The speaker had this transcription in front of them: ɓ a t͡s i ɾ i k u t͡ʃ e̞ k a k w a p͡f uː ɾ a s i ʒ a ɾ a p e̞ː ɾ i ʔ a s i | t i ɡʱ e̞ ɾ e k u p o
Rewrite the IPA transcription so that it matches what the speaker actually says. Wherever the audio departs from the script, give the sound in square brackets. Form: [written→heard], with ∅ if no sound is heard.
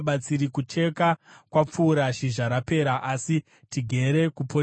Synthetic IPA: ɓ a t͡s i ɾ i k u t͡ʃ e̞ k a k w a p͡f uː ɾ a [s→ʃ] i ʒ a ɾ a p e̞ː ɾ [i→a] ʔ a s i | t i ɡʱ e̞ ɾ e k u p o